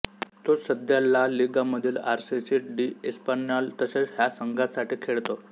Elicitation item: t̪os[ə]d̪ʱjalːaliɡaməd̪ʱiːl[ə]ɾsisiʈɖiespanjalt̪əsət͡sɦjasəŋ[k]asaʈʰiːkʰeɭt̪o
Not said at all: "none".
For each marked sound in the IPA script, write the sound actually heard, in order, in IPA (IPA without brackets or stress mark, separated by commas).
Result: ə, a, ɡ